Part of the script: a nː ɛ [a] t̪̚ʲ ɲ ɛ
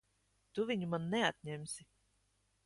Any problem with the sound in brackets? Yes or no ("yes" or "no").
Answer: no